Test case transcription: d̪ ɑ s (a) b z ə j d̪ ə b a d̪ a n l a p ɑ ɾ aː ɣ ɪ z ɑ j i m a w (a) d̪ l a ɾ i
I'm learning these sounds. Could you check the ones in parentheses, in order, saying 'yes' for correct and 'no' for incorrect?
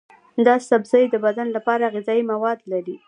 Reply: yes, no

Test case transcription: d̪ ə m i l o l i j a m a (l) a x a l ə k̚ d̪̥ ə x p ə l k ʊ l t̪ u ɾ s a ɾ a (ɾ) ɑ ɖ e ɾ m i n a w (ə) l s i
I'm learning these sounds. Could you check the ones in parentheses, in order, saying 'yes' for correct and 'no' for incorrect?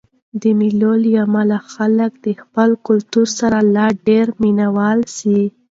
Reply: yes, no, no

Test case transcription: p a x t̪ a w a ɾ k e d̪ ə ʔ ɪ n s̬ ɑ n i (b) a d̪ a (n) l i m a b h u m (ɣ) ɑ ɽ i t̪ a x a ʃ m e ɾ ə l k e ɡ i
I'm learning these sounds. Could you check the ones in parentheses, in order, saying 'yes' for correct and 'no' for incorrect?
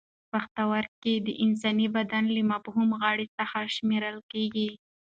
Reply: yes, yes, yes

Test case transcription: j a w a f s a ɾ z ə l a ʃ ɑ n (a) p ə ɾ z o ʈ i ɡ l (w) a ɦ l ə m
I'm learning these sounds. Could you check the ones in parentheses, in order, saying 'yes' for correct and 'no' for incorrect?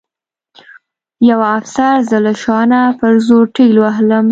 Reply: yes, yes

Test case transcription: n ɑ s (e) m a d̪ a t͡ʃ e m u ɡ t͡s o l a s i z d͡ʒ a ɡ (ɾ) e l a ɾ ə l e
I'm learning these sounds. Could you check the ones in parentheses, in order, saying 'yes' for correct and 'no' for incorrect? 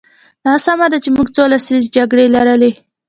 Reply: no, no

